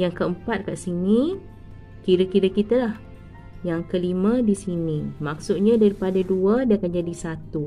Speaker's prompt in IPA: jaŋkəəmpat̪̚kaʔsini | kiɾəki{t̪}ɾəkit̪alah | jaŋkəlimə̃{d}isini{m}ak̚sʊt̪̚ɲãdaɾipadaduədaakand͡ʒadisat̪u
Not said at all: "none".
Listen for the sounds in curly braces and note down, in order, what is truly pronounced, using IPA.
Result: none, d, m

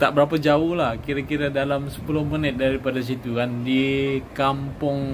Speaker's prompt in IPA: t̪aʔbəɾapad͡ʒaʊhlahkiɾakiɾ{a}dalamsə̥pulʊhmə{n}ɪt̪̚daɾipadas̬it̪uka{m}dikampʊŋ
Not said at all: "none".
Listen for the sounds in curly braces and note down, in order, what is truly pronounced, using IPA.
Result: a, n, n

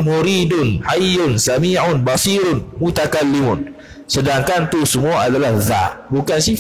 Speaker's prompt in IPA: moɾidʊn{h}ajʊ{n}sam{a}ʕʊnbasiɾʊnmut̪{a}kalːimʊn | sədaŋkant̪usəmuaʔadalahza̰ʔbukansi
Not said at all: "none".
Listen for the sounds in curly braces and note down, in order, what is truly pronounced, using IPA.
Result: h, n, i, a

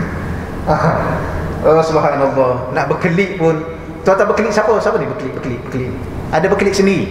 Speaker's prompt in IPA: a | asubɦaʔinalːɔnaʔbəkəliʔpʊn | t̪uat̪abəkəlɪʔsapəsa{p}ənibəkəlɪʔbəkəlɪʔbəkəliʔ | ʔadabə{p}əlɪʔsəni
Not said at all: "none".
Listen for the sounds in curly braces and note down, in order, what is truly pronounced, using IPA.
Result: p, k

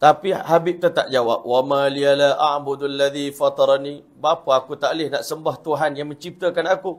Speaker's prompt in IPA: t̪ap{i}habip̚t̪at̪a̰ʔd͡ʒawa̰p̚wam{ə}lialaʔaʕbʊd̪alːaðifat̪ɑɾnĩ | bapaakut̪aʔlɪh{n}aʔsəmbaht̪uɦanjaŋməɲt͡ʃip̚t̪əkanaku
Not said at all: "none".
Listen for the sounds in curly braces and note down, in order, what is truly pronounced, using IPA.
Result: i, a, n

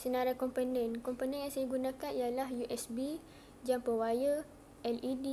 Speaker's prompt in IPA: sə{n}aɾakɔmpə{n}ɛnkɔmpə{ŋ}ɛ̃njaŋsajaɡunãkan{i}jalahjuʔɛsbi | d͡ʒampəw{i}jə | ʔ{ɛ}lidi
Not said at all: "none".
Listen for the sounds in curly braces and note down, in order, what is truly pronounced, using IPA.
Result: n, n, n, i, a, ɛ

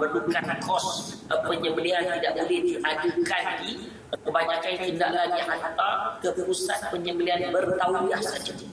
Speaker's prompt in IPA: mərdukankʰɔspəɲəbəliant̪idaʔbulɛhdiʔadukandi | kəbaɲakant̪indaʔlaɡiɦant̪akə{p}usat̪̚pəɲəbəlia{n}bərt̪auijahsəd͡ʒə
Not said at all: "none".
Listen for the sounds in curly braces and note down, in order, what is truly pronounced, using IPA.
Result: p, n

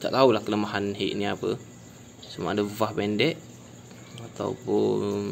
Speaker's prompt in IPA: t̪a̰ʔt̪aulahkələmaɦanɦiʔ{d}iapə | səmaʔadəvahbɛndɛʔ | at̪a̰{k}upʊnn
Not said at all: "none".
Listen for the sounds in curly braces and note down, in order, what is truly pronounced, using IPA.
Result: n, none

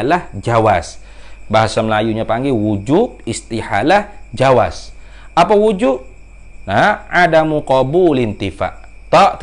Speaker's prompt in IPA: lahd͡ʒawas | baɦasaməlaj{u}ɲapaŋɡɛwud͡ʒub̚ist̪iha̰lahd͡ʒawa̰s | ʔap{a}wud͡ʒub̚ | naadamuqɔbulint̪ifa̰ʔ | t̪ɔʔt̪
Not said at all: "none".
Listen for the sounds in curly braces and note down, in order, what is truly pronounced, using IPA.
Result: u, a

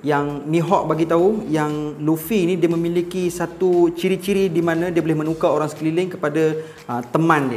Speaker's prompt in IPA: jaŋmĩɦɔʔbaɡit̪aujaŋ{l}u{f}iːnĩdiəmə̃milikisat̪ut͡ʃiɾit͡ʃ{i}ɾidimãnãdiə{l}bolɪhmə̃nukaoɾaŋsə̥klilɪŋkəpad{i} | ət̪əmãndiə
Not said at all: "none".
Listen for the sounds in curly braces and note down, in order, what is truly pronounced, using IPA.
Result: l, f, i, none, a

